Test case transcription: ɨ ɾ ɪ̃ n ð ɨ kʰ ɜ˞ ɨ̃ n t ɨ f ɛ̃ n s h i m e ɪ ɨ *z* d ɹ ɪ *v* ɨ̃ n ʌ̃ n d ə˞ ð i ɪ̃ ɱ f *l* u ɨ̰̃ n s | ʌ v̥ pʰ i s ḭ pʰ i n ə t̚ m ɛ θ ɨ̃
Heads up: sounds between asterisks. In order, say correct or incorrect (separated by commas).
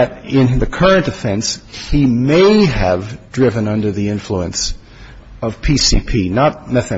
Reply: incorrect, correct, correct